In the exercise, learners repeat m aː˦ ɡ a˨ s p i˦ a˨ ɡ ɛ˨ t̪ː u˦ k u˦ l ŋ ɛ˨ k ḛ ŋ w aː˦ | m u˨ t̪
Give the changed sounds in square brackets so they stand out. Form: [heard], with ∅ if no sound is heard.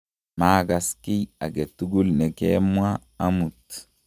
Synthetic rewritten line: m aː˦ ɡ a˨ s [k] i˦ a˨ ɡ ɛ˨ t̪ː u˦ [ɡ] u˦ l [n] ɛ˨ k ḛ [m] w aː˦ | m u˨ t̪